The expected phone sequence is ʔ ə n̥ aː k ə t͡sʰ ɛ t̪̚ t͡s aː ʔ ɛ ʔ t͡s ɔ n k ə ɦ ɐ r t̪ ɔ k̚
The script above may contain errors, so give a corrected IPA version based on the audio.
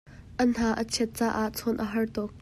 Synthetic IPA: ʔ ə n̥ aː ʔ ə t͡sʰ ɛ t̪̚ t͡s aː ʔ a ʔ t͡sʰ ɔ n ʔ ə ɦ ɐ r t̪ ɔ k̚